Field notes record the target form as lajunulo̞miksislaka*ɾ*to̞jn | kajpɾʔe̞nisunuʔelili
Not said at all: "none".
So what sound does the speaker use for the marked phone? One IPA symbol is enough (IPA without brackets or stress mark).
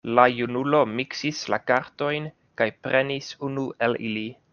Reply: ɾ